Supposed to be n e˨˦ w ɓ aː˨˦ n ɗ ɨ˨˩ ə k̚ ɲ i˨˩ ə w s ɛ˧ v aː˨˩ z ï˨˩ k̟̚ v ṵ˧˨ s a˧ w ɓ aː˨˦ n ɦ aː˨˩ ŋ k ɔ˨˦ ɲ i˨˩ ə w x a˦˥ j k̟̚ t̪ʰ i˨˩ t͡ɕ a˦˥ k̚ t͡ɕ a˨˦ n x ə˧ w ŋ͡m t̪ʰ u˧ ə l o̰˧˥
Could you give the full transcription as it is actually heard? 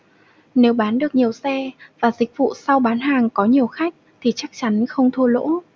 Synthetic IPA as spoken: n e˨˦ w ɓ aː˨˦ n ɗ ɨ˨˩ ə k̚ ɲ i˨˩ ə w s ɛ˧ v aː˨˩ z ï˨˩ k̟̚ v ṵ˧˨ s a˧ w ɓ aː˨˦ n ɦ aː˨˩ ŋ k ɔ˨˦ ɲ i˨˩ ə w x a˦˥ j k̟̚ t̪ʰ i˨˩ t͡ɕ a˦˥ k̚ t͡ɕ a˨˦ n x ə˧ w ŋ͡m t̪ʰ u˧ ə l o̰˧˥